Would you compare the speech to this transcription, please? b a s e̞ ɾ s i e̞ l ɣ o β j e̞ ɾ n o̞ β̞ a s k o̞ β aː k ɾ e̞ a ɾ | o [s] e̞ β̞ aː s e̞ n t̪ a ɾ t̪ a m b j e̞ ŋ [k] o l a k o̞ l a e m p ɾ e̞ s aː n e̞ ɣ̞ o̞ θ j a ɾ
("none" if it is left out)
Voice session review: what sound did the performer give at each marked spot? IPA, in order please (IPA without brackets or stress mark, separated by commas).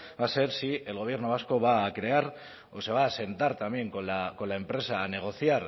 s, k